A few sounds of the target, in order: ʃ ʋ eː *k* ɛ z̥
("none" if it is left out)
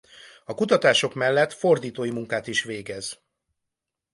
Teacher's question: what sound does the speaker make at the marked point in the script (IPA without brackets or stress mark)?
ɡ